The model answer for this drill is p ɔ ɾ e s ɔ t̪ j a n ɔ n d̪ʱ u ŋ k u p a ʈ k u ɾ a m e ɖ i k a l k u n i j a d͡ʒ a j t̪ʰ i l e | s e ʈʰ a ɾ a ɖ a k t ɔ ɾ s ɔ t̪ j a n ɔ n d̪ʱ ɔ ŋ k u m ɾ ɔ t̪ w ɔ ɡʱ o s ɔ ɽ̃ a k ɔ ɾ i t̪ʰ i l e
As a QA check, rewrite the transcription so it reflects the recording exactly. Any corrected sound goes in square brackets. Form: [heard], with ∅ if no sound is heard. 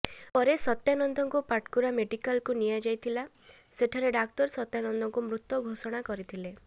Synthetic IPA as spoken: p ɔ ɾ e s ɔ t̪ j a n ɔ n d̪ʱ [ɔ] ŋ k u p a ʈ k u ɾ a m e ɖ i k a l k u n i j a d͡ʒ a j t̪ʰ i l [a] | s e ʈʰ a ɾ [e] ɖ a k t ɔ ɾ s ɔ t̪ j a n ɔ n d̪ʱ ɔ ŋ k u m ɾ [u] t̪ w ɔ ɡʱ o s ɔ ɽ̃ a k ɔ ɾ i t̪ʰ i l e